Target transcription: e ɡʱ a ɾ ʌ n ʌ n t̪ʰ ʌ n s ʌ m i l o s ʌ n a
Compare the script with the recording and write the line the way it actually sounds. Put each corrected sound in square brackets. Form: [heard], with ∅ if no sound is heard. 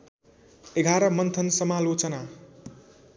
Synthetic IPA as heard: e ɡʱ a ɾ ʌ [m] ʌ n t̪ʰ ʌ n s ʌ m [a] l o [t͡s] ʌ n a